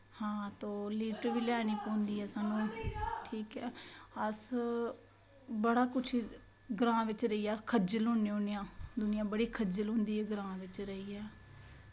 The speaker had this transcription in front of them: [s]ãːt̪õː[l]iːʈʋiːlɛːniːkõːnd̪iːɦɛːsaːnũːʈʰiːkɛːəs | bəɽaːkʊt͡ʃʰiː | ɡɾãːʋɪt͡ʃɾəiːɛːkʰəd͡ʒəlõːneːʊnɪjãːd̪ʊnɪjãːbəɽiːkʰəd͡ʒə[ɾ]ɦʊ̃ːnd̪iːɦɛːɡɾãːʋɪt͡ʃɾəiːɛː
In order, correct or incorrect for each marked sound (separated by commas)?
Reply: incorrect, correct, incorrect